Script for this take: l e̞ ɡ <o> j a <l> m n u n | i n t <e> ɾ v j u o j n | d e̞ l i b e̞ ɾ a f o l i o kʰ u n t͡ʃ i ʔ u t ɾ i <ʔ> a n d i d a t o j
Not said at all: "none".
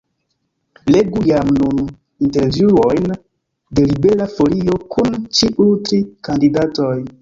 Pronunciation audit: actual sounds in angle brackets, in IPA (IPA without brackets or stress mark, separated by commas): u, none, e, k